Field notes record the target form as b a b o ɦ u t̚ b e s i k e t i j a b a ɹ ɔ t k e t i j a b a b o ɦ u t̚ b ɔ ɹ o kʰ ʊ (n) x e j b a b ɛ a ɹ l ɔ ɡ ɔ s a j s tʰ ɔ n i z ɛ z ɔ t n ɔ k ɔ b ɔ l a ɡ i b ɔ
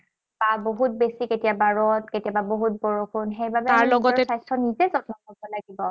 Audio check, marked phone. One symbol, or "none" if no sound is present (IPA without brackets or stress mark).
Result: n